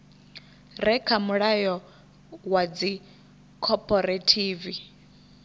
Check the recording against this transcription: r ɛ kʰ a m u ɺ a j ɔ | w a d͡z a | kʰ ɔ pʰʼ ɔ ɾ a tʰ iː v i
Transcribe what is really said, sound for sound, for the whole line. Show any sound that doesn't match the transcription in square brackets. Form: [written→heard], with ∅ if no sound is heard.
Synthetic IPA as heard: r ɛ kʰ a m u ɺ a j ɔ | w a d͡z [a→i] | kʰ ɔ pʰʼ ɔ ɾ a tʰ iː v i